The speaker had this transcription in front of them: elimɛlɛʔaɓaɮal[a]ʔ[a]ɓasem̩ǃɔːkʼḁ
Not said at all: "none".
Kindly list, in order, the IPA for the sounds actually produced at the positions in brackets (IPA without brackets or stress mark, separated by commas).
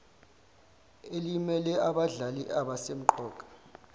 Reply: i, a